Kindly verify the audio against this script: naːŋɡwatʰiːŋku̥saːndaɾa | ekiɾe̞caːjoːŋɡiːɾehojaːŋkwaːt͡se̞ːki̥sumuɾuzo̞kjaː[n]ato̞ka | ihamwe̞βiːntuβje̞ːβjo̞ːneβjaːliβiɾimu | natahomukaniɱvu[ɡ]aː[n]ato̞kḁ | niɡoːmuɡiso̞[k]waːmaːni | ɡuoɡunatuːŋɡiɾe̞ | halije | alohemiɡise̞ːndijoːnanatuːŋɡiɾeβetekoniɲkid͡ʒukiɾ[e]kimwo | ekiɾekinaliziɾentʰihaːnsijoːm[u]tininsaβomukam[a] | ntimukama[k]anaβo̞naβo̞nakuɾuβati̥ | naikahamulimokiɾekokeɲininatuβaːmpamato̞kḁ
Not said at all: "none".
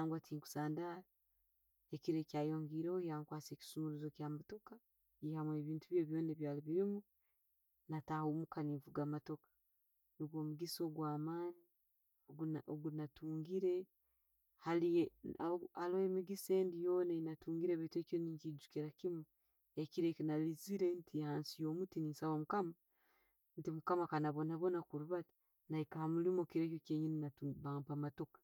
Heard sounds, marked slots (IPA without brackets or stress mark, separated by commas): m, ɡ, m, ɡ, a, u, a, k